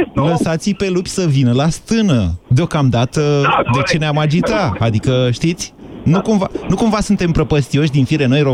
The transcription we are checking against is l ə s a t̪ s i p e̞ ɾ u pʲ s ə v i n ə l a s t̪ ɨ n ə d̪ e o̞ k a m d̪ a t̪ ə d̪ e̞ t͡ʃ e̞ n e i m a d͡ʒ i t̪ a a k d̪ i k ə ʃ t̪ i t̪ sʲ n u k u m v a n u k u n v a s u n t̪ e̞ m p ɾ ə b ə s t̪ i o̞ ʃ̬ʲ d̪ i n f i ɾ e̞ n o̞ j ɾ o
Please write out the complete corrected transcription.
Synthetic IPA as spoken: l ə s a t̪ s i p e̞ l u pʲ s ə v i n ə l a s t̪ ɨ n ə d̪ e o̞ k a m d̪ a t̪ ə d̪ e̞ t͡ʃ e̞ n e a m a d͡ʒ i t̪ a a d̪ i k ə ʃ t̪ i t̪ sʲ n u k u m v a n u k u m v a s u n t̪ e̞ m p ɾ ə p ə s t̪ i o̞ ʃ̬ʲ d̪ i n f i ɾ e̞ n o̞ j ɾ o